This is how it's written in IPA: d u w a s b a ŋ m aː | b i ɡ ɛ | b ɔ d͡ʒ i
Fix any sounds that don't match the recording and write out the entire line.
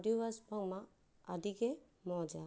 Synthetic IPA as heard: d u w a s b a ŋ m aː | d i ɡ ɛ | m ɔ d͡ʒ a